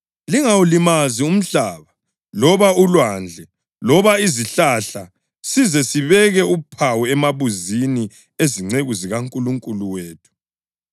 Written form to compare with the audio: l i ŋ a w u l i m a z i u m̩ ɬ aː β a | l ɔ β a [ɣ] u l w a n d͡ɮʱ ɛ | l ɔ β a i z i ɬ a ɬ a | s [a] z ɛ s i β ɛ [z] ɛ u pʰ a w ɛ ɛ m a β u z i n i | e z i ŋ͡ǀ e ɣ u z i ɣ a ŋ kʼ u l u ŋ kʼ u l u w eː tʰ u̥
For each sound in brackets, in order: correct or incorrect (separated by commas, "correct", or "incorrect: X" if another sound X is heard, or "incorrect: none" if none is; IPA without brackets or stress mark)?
incorrect: none, incorrect: i, incorrect: ɣ